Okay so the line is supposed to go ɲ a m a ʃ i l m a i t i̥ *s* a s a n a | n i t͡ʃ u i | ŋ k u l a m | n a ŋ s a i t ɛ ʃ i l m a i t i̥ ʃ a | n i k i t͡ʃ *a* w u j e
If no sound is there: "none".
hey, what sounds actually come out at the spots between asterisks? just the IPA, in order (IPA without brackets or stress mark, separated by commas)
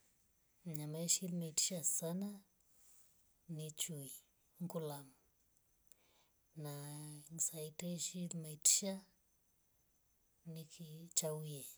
ʃ, a